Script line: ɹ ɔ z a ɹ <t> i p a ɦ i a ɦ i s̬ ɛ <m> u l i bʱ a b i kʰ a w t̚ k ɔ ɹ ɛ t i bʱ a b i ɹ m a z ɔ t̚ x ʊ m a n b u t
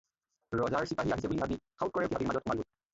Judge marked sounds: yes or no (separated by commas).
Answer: no, no